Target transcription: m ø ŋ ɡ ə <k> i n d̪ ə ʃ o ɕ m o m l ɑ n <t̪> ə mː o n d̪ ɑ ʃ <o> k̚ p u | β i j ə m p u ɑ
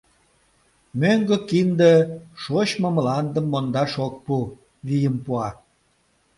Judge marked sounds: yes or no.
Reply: yes, no, yes

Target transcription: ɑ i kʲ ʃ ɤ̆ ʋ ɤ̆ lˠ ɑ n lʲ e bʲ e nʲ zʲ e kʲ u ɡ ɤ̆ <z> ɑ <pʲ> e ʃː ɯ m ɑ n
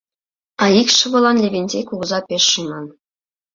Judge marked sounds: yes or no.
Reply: yes, yes

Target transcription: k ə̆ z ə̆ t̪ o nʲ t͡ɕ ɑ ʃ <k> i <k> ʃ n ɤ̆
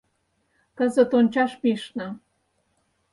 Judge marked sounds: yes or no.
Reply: no, no

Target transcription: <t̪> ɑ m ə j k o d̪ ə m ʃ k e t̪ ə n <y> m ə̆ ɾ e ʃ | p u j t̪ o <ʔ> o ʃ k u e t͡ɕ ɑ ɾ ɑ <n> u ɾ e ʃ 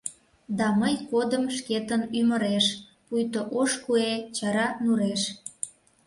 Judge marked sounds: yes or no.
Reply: no, yes, yes, yes

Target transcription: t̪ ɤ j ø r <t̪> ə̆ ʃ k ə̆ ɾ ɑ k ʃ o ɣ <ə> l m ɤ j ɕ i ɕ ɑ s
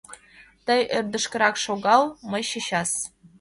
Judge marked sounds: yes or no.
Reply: no, no

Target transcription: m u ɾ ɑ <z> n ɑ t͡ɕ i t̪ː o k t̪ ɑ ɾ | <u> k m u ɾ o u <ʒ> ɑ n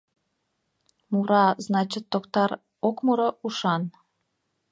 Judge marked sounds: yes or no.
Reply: yes, no, no

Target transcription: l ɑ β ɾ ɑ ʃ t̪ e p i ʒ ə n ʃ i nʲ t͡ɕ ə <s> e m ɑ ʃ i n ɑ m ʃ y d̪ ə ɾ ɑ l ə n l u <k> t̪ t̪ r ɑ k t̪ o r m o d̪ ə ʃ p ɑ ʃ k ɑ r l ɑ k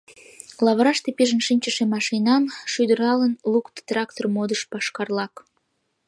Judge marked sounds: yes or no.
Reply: no, yes

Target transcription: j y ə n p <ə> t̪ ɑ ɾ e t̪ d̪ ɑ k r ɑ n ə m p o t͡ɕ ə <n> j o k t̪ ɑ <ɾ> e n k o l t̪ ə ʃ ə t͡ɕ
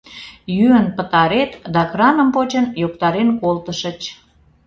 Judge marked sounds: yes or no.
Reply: yes, yes, yes

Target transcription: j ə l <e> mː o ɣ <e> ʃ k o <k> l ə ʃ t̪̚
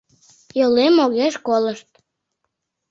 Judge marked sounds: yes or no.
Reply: yes, yes, no

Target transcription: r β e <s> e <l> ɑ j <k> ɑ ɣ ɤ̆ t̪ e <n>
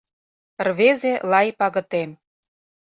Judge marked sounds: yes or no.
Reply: no, yes, no, no

